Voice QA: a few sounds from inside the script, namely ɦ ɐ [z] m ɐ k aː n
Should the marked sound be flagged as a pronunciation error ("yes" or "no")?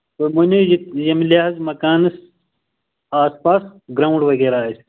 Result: no